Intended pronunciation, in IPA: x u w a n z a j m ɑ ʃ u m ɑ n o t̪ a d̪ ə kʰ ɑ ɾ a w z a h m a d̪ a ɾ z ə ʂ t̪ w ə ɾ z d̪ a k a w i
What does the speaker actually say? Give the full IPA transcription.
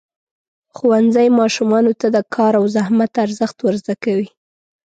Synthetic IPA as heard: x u w a n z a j m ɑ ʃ u m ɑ n o t̪ a d̪ ə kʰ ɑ ɾ a w z a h m a t̪ a ɾ z ə x t̪ w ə ɾ z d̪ a k a w i